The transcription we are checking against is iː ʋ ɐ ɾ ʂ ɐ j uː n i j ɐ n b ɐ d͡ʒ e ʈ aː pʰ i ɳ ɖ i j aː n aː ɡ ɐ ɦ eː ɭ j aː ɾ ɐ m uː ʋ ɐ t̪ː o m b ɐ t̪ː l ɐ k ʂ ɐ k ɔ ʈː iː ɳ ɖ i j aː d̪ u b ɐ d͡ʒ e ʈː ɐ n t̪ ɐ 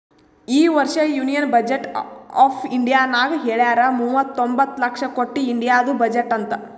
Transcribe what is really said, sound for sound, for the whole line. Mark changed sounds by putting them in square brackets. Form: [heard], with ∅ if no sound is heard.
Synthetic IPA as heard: iː ʋ ɐ ɾ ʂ ɐ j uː n i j ɐ n b ɐ d͡ʒ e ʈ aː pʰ i ɳ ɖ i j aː n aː ɡ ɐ ɦ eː ɭ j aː ɾ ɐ m uː ʋ ɐ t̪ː o m b ɐ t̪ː l ɐ k ʂ ɐ k [o] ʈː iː ɳ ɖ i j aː d̪ u b ɐ d͡ʒ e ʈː ɐ n t̪ ɐ